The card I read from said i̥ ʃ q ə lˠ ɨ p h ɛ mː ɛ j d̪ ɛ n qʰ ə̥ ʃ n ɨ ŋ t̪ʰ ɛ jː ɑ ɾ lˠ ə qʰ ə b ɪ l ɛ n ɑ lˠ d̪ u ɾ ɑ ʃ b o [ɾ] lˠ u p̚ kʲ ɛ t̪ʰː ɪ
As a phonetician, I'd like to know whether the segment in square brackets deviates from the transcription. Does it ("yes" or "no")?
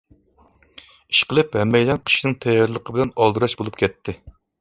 yes